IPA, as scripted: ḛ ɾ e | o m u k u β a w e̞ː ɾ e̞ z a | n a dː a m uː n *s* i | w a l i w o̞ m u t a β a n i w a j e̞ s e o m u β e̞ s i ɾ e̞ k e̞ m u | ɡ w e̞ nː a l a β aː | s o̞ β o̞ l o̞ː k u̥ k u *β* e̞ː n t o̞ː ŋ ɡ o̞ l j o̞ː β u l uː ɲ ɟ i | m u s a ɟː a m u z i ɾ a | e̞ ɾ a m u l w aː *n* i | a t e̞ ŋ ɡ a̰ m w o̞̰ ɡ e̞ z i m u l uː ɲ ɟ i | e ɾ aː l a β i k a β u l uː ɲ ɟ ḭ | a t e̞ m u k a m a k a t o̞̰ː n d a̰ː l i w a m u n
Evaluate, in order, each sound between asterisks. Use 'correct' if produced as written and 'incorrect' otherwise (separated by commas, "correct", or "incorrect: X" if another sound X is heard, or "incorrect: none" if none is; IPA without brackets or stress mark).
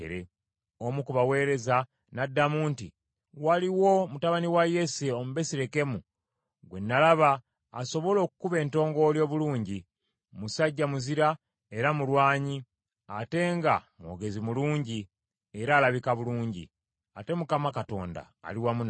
incorrect: t, correct, incorrect: ɲ